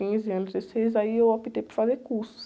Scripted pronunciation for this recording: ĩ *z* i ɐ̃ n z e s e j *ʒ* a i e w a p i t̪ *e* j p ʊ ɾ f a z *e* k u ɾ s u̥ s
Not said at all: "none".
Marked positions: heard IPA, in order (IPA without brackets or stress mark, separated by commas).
z, z, e, e